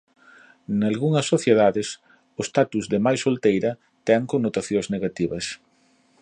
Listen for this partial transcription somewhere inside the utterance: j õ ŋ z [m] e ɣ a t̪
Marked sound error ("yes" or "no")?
yes